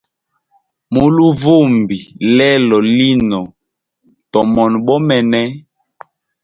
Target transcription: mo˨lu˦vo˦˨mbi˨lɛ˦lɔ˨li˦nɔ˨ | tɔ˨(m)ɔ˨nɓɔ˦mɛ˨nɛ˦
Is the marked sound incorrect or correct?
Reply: correct